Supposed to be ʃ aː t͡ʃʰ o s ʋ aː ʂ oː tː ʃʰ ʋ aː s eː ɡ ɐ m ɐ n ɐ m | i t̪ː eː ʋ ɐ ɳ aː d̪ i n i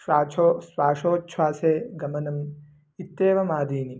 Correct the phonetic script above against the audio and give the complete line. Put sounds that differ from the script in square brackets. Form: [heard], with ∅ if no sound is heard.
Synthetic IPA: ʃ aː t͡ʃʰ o s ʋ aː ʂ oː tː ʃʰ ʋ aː s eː ɡ ɐ m ɐ n ɐ m | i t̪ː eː ʋ ɐ [m] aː d̪ [iː] n i